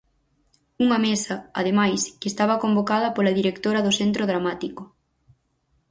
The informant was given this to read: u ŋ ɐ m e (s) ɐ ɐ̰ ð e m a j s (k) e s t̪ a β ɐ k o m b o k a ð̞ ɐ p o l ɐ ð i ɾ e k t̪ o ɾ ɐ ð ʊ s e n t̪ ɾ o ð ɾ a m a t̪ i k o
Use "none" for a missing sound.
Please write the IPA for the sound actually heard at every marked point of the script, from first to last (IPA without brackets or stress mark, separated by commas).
s, k